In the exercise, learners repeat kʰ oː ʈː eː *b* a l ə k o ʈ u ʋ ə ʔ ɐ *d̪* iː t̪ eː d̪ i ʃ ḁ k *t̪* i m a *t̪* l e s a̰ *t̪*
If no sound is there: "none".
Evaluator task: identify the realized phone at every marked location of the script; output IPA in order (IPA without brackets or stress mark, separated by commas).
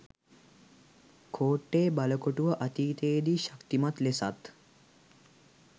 b, t̪, t̪, t̪, t̪